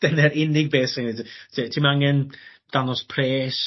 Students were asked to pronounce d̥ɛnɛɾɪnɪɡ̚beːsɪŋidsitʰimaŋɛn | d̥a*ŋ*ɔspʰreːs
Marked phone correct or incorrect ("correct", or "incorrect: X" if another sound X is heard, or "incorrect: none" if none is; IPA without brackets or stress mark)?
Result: incorrect: n